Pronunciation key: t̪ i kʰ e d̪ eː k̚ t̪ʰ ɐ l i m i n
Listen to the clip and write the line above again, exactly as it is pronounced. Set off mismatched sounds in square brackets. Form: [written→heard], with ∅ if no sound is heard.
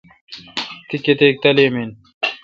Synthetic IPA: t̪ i [kʰ→k] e [d̪→t̪] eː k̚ [t̪ʰ→t̪] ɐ l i m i n

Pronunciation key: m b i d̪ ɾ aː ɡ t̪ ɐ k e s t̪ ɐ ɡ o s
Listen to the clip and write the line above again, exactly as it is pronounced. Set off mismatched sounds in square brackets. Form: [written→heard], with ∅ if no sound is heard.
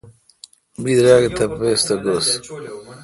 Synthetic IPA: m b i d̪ ɾ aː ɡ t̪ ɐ [k→p] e s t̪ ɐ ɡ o s

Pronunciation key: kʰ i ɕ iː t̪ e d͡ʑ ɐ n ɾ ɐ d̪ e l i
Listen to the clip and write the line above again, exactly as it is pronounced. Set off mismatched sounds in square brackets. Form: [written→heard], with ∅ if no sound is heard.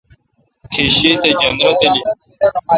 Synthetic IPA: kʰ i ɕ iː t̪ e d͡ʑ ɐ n ɾ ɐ [d̪→t̪] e l i

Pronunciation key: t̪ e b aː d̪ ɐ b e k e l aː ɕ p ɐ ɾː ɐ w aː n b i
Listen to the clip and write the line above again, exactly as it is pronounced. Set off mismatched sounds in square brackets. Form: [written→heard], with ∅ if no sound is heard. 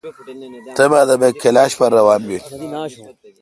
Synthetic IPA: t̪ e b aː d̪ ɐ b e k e l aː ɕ p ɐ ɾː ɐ w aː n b i

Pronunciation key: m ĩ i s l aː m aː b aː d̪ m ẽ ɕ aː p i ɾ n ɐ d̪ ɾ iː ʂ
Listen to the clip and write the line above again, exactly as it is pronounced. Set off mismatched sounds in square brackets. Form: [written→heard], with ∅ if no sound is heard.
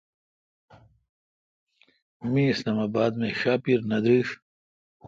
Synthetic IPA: m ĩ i s l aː m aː b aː d̪ m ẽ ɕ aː p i ɾ n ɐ d̪ ɾ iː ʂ

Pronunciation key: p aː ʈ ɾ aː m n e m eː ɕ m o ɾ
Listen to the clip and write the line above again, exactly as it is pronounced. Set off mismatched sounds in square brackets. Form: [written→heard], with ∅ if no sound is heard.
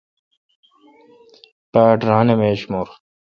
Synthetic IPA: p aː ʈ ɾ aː [m→∅] n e m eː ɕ m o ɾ

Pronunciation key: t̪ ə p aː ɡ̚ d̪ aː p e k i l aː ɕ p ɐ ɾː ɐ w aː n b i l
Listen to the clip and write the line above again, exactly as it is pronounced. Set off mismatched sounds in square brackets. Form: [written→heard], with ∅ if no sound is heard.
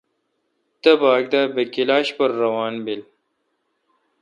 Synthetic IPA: t̪ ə [p→b] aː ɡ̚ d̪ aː [p→b] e k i l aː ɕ p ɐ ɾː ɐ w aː n b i l

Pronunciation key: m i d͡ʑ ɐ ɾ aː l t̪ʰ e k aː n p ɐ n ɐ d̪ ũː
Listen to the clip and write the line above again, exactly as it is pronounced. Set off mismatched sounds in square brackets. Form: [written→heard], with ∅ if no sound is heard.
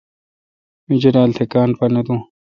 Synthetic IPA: m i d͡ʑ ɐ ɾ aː l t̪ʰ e k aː n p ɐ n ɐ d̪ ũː

